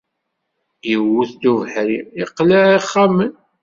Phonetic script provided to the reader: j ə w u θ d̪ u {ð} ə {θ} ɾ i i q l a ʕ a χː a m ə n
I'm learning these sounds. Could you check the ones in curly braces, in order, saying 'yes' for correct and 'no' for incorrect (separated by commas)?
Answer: no, no